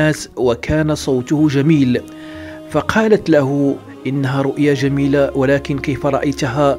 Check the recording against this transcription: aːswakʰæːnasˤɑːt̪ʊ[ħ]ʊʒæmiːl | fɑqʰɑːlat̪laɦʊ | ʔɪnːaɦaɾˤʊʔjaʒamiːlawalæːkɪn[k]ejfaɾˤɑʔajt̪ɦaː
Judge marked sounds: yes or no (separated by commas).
no, yes